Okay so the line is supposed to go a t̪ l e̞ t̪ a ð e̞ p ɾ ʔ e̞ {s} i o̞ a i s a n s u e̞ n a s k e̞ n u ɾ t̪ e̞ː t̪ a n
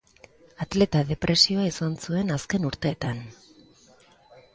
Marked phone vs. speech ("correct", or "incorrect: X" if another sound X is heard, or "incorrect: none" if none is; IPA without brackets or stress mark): correct